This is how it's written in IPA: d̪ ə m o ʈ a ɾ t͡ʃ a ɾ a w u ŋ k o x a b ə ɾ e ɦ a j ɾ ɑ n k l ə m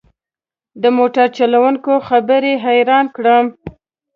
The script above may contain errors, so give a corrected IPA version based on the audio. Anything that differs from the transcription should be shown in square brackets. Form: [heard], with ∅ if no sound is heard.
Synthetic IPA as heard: d̪ ə m o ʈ a ɾ t͡ʃ a [l] a w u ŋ k o x a b ə ɾ e ɦ a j ɾ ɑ n k [ɽ] ə m